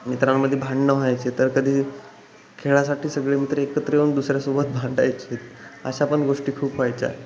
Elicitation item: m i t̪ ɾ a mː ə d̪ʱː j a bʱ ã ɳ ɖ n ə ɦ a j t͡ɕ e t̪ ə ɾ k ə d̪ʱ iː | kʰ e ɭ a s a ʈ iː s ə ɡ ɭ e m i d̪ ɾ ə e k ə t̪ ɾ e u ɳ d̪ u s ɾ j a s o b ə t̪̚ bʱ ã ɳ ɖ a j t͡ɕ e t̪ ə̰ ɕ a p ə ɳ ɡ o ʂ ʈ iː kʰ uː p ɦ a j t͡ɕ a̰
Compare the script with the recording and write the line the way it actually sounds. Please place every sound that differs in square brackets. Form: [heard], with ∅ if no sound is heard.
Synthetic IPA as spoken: m i t̪ ɾ a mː ə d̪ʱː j [e] bʱ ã ɳ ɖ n ə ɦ a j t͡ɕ e t̪ ə ɾ k ə d̪ʱ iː | kʰ e ɭ a s a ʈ iː s ə ɡ ɭ e m i [t̪] ɾ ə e k ə t̪ ɾ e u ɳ d̪ u s ɾ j a s o b ə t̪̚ bʱ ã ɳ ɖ a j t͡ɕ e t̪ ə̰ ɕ a p ə ɳ ɡ o ʂ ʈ iː kʰ uː p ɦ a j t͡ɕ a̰